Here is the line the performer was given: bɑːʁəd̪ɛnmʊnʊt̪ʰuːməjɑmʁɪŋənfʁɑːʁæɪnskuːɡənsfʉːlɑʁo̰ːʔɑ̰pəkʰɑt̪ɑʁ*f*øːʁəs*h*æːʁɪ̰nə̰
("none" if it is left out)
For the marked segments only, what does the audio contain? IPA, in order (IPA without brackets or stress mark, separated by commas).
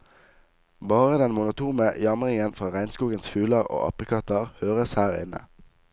h, h